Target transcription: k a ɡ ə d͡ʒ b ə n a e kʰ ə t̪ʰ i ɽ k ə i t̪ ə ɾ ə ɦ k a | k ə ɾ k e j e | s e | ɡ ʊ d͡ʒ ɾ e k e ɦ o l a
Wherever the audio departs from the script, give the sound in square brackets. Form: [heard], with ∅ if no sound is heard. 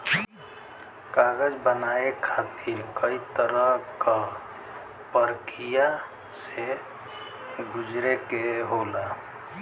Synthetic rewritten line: k a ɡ ə d͡ʒ b ə n a e kʰ [a] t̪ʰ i [ɾ] k ə i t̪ ə ɾ ə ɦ k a | [p] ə ɾ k [i] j [a] | s e | ɡ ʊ d͡ʒ ɾ e k e ɦ o l a